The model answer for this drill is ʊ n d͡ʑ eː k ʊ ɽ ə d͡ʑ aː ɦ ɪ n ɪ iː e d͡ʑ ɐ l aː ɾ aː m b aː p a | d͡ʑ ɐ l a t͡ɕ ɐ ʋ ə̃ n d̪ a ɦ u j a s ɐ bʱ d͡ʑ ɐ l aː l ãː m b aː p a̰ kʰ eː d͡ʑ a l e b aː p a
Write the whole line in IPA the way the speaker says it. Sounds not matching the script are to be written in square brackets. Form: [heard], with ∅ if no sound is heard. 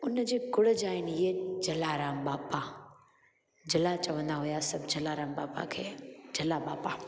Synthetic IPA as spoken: ʊ n d͡ʑ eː k ʊ ɽ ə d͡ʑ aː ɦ ɪ n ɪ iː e d͡ʑ ɐ l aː ɾ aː m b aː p a | d͡ʑ ɐ l a t͡ɕ ɐ ʋ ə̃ n d̪ a ɦ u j a s ɐ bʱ d͡ʑ ɐ l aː [ɾ] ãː m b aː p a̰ kʰ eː d͡ʑ [ɐ] l [a] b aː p a

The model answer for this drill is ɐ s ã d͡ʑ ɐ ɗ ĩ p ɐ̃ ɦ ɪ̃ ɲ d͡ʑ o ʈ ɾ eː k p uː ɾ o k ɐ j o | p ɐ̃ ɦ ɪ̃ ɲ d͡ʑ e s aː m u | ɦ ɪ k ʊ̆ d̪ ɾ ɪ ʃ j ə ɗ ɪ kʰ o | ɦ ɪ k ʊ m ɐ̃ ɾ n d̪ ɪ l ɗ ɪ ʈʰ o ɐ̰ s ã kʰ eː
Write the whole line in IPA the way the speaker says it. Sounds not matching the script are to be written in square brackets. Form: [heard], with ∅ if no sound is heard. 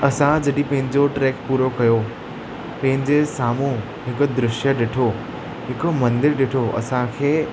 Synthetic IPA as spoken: ɐ s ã d͡ʑ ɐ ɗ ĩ p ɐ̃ ɦ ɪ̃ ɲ d͡ʑ o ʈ ɾ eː k p uː ɾ o k ɐ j o | p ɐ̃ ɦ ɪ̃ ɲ d͡ʑ e s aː m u | ɦ ɪ k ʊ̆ d̪ ɾ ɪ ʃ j ə ɗ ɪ [ʈʰ] o | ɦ ɪ k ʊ m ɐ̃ [∅] n d̪ ɪ [ɾ] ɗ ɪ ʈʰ o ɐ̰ s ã kʰ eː

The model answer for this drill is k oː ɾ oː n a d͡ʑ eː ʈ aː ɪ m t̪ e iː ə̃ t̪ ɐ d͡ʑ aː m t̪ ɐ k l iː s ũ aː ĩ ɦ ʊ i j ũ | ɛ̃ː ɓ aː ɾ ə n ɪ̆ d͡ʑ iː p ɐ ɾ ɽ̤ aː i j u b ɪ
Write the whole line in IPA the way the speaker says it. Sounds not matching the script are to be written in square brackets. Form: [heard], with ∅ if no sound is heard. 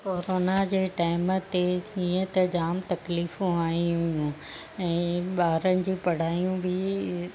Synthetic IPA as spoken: k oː ɾ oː n a d͡ʑ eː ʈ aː ɪ m t̪ e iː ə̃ t̪ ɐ d͡ʑ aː m t̪ ɐ k l iː [f] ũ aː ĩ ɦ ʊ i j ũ | ɛ̃ː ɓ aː ɾ ə n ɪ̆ d͡ʑ iː p ɐ [∅] ɽ̤ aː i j [ũ] b ɪ

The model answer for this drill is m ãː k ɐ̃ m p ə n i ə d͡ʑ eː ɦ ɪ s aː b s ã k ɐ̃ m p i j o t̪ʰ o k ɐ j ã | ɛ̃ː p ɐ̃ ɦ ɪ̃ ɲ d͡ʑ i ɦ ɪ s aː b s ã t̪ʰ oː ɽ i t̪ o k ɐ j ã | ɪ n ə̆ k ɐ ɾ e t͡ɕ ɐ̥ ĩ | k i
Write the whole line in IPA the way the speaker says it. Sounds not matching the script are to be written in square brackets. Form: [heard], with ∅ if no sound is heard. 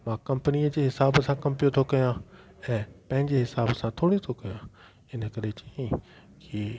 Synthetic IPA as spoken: m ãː k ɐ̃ m p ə n i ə d͡ʑ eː ɦ ɪ s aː b s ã k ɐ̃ m p i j o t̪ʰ o k ɐ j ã | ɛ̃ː p ɐ̃ ɦ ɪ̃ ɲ d͡ʑ [e] ɦ ɪ s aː b s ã t̪ʰ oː ɽ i [t̪ʰ] o k ɐ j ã | ɪ n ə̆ k ɐ ɾ e t͡ɕ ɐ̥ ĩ | k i

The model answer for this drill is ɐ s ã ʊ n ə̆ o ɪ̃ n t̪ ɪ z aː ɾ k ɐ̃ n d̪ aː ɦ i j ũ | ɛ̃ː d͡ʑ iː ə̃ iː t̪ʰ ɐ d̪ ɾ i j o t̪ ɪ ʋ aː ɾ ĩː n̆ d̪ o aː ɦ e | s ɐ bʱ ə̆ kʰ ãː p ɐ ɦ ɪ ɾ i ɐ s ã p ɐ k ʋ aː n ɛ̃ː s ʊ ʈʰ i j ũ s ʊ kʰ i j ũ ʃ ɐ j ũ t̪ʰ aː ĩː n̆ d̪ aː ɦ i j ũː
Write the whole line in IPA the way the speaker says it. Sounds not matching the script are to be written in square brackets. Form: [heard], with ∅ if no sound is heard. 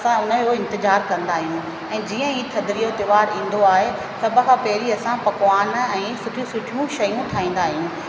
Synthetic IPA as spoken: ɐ s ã ʊ n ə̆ o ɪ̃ n t̪ ɪ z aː ɾ k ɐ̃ n d̪ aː ɦ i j ũ | ɛ̃ː d͡ʑ iː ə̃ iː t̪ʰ ɐ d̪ ɾ i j o t̪ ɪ ʋ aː ɾ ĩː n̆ d̪ o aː ɦ e | s ɐ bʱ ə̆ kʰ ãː p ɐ ɦ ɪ ɾ i ɐ s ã p ɐ k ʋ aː n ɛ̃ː s ʊ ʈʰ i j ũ s ʊ [ʈʰ] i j ũ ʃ ɐ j ũ t̪ʰ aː ĩː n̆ d̪ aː ɦ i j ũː

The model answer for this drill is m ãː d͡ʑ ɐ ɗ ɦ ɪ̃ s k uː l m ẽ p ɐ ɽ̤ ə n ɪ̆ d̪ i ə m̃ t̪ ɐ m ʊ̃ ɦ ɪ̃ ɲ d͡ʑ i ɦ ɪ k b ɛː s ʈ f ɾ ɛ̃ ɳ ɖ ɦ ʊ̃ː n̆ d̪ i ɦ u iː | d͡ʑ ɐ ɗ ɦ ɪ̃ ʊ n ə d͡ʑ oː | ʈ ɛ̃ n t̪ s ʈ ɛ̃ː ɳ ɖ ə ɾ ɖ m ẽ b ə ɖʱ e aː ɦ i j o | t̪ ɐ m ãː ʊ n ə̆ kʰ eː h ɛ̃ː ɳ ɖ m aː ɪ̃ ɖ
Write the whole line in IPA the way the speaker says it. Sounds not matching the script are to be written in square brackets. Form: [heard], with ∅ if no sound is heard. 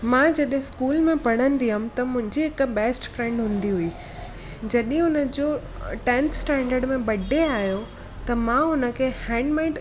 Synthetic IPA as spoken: m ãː d͡ʑ ɐ ɗ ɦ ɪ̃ s k uː l m ẽ p ɐ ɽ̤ ə n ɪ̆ d̪ i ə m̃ t̪ ɐ m ʊ̃ ɦ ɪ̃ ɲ d͡ʑ i ɦ ɪ k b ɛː s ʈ f ɾ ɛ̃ ɳ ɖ ɦ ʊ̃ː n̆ d̪ i ɦ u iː | d͡ʑ ɐ ɗ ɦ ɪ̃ ʊ n ə d͡ʑ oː | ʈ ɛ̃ n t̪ s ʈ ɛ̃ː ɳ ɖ ə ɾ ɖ m ẽ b [ɐ] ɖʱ e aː ɦ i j o | t̪ ɐ m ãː ʊ n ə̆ kʰ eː h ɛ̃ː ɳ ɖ m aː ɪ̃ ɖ

